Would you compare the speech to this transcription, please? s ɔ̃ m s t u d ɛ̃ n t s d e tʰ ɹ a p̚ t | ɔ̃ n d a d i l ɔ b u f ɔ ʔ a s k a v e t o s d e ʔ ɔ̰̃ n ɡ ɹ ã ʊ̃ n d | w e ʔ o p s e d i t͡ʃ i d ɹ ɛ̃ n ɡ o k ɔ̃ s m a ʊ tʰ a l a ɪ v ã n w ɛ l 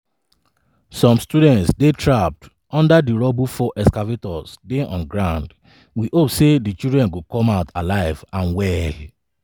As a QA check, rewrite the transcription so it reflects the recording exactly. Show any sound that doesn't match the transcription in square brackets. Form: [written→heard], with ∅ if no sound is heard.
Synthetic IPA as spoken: s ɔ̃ m s t u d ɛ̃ n t s d e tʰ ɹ a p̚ t | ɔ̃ n d a d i [l→ɹ] ɔ b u f ɔ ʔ [a→ɛ] s k a v e t [o→ɔ] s d e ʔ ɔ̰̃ n ɡ ɹ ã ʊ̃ n d | w [e→i] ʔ o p s e d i t͡ʃ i d ɹ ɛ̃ n ɡ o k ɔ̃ [s→∅] m a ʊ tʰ a l a ɪ v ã n w ɛ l